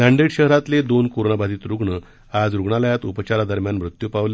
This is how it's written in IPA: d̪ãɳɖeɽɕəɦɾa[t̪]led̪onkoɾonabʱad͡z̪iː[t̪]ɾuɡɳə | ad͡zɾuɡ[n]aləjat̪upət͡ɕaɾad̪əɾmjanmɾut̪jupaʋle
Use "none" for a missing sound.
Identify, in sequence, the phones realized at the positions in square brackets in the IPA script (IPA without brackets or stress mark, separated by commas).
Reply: t̪, t̪, ɳ